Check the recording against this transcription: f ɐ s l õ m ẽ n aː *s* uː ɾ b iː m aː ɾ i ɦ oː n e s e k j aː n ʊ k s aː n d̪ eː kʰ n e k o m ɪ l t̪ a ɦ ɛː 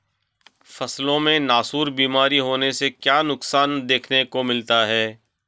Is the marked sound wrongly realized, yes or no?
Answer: no